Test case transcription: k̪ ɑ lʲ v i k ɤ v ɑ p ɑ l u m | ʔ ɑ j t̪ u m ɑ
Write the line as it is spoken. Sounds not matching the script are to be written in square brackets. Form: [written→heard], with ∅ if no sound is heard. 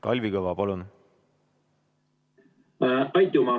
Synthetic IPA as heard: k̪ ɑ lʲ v i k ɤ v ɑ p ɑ l u [m→n] | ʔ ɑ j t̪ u m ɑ